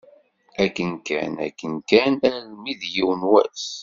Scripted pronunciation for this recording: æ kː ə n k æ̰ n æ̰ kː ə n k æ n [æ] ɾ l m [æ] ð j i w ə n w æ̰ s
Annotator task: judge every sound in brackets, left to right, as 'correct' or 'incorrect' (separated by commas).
correct, incorrect